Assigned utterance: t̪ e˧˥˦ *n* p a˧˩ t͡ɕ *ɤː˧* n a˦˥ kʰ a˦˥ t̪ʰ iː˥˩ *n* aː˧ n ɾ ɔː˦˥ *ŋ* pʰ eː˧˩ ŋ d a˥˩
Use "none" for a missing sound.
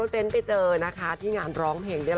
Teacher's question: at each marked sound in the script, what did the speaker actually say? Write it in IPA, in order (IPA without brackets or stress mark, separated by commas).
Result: n, ɤː˧, ŋ, ŋ